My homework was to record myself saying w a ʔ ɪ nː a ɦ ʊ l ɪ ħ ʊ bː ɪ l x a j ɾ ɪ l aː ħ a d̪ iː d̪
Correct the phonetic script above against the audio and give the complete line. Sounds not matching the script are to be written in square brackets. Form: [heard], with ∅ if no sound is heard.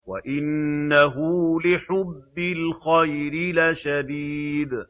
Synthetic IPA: w a ʔ ɪ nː a ɦ ʊ l ɪ ħ ʊ bː ɪ l x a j ɾ ɪ l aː [ʃ] a d̪ iː d̪

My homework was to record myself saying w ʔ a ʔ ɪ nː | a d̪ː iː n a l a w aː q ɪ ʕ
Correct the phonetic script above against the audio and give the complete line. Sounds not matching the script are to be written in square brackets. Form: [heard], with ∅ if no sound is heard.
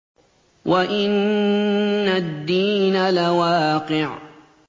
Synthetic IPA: w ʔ a ʔ ɪ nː | a d̪ː iː n a l a w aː q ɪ ʕ

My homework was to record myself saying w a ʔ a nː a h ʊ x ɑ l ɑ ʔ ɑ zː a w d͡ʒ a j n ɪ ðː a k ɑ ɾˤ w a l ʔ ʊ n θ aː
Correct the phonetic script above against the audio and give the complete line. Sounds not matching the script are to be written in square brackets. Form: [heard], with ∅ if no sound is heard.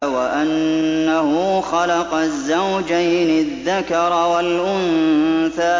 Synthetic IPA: w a ʔ a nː a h ʊ x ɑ l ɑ [q] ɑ zː a w d͡ʒ a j n ɪ ðː a k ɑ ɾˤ w a l ʔ ʊ n θ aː

